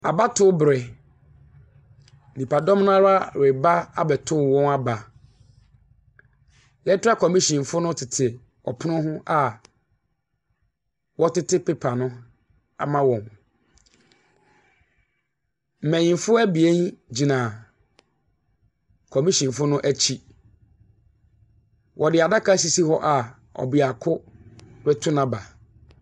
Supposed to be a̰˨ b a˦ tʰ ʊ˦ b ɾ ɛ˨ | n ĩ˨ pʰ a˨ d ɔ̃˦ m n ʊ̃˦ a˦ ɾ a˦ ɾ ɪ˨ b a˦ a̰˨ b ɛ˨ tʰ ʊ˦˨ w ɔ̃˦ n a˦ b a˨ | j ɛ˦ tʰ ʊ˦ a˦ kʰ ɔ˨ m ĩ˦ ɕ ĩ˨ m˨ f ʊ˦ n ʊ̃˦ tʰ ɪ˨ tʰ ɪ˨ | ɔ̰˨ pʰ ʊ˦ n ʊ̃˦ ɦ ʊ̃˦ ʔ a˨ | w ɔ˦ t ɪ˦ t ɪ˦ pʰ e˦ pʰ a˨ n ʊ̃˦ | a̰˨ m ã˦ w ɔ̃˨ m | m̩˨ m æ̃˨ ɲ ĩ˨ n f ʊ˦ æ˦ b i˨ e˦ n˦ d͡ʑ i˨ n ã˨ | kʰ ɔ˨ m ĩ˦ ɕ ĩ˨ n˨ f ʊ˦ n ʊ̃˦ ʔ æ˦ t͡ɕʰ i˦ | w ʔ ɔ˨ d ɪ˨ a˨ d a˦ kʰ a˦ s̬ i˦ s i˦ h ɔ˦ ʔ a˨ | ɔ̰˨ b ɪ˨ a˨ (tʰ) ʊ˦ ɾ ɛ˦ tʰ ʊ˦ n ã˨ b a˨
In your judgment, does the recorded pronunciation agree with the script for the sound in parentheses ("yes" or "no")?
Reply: no